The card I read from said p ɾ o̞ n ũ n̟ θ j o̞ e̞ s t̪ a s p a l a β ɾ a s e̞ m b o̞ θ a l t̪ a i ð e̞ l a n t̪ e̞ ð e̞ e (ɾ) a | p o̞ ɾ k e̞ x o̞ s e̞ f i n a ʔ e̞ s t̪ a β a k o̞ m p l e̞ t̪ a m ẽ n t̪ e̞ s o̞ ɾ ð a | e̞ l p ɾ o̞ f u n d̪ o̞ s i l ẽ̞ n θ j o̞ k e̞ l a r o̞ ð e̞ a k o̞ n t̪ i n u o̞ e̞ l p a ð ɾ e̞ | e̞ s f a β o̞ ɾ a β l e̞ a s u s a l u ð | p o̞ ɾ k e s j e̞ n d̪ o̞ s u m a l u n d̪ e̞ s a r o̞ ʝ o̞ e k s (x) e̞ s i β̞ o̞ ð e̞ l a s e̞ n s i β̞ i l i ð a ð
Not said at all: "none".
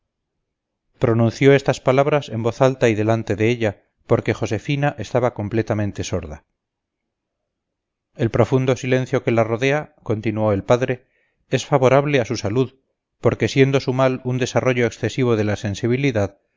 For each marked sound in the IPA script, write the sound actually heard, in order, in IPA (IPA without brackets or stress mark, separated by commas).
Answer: ʎ, θ